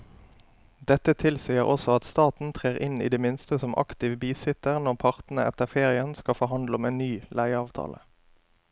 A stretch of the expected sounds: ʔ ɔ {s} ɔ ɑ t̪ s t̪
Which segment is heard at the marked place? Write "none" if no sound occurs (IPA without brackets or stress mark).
s